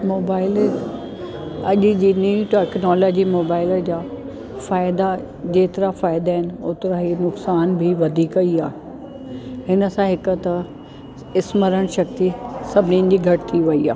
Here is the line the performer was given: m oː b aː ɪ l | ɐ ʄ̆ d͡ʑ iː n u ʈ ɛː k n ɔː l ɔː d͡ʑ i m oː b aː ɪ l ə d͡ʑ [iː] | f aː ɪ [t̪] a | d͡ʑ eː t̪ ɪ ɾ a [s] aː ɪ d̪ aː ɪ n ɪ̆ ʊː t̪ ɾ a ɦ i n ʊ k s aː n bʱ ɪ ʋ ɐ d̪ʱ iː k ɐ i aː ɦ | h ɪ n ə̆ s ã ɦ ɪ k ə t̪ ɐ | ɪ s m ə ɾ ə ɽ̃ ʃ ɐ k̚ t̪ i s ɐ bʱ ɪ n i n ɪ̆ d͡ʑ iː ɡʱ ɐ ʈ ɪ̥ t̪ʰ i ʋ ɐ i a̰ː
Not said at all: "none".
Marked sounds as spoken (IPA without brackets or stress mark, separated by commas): aː, d̪, f